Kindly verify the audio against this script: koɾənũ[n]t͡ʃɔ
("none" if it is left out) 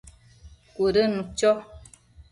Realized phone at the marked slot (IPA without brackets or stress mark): none